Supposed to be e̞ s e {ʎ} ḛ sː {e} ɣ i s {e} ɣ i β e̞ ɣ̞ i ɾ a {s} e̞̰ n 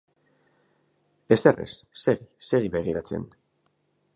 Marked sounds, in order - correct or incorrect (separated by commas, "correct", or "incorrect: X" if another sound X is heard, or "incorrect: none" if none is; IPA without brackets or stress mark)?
incorrect: r, correct, correct, incorrect: t͡s